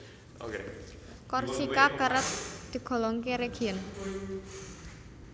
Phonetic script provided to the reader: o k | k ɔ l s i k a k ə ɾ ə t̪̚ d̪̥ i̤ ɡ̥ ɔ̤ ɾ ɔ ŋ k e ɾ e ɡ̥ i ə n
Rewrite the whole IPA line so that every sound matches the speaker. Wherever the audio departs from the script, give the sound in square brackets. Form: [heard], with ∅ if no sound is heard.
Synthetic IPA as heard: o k | k ɔ [r] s i k a k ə ɾ ə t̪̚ d̪̥ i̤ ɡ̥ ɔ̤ [l] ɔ ŋ k e ɾ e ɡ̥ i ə n